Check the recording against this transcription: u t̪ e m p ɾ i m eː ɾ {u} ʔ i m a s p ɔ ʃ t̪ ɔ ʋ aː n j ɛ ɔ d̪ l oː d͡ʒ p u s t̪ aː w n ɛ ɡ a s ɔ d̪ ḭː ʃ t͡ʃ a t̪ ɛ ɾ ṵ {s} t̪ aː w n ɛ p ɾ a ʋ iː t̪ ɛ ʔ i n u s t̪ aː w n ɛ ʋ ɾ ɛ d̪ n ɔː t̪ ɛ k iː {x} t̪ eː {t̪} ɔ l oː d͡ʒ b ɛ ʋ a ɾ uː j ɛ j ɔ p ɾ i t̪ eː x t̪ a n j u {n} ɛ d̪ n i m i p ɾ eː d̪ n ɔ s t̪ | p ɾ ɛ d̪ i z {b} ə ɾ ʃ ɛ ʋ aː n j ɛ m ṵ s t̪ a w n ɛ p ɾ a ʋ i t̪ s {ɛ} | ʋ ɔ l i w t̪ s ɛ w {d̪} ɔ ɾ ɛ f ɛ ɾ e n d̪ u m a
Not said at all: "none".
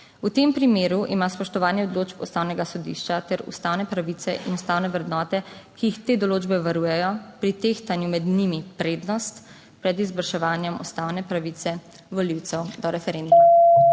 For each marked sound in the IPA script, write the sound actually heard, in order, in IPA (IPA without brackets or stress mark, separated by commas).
u, s, x, d̪, m, b, ɛ, d̪